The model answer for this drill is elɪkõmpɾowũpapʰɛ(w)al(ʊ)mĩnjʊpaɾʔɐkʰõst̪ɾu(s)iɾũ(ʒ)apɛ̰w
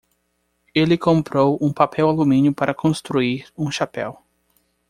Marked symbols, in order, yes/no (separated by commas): yes, no, no, no